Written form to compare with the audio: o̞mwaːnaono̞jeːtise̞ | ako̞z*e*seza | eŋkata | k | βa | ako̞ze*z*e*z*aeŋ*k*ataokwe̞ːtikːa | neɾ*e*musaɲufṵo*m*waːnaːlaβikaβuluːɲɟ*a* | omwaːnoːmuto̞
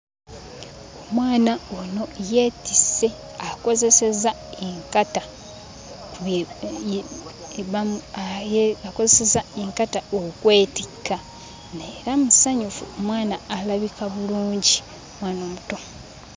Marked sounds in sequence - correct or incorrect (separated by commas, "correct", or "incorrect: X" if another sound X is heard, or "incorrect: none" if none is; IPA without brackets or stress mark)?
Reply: correct, incorrect: s, correct, correct, incorrect: a, correct, incorrect: i